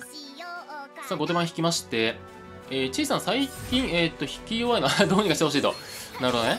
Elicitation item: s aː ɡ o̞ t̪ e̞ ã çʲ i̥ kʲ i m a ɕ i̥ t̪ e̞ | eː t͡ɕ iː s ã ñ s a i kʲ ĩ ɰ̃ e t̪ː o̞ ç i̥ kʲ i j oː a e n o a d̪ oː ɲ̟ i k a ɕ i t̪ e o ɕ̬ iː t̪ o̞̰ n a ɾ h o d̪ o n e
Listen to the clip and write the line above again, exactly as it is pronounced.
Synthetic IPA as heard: s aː ɡ o̞ t̪ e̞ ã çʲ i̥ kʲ i m a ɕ i̥ t̪ e̞ | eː t͡ɕ iː s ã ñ s a i kʲ ĩ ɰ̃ e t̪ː o̞ ç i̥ kʲ i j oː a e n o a d̪ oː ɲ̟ i k a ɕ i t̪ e o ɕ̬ iː t̪ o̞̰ n a ɾ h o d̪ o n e